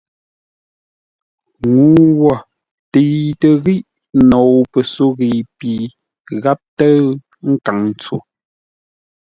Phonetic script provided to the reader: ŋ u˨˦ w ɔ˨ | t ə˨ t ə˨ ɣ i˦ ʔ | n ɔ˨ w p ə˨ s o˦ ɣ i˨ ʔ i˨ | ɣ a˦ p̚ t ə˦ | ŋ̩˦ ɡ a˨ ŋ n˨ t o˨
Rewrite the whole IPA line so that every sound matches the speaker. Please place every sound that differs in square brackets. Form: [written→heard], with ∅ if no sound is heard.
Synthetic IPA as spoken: ŋ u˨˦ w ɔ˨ | t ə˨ t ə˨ ɣ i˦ ʔ | n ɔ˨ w p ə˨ s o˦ ɣ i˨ [ʔ→p] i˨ | ɣ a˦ p̚ t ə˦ | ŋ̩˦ [ɡ→k] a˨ ŋ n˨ [t→t͡s] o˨